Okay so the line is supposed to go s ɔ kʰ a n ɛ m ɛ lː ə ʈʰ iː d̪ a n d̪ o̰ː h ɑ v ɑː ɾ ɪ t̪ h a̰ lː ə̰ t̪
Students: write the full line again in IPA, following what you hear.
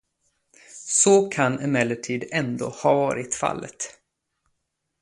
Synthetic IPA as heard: s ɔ kʰ a n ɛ m ɛ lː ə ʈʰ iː d̪ ɛ n d̪ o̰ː h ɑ v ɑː ɾ ɪ t̪ f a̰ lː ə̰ t̪